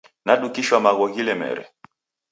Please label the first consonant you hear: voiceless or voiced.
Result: voiced